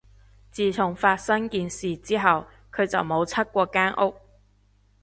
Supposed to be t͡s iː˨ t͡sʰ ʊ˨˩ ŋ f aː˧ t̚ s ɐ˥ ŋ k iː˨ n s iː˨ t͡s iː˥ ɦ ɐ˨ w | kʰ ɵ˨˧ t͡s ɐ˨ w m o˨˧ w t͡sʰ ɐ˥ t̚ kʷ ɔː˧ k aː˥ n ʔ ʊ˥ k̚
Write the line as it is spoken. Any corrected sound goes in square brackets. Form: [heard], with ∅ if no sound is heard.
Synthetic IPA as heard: t͡s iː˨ t͡sʰ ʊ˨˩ ŋ f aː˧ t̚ s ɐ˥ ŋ k iː˨ n s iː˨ t͡s iː˥ ɦ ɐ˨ w | kʰ ɵ˨˧ t͡s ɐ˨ w m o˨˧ w t͡sʰ ɐ˥ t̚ kʷ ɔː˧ k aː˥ n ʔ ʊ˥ k̚